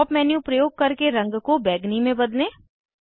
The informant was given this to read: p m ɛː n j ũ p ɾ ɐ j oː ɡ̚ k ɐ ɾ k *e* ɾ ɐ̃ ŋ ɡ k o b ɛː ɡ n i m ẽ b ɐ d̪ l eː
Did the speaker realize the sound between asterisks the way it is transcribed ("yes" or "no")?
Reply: yes